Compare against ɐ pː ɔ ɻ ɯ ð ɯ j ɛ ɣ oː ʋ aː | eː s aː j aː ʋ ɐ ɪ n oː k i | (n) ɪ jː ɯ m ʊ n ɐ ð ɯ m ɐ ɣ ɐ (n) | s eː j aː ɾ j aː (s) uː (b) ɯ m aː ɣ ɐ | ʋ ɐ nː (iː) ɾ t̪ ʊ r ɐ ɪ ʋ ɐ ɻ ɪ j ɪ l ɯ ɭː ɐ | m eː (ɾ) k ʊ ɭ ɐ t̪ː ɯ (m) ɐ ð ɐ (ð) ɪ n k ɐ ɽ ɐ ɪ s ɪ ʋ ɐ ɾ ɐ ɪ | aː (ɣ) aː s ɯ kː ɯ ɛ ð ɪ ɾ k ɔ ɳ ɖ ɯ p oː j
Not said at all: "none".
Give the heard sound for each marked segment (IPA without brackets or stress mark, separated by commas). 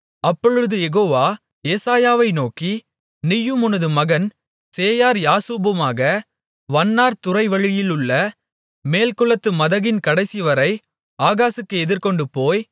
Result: n, n, s, b, aː, l, m, ɣ, ɣ